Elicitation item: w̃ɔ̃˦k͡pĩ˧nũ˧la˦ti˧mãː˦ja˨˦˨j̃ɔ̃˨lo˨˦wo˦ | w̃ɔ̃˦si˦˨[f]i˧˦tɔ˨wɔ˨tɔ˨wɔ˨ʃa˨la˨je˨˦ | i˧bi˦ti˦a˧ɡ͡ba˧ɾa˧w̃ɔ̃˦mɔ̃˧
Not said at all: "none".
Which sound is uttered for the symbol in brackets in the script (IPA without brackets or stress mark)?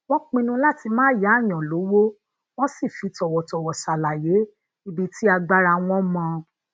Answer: f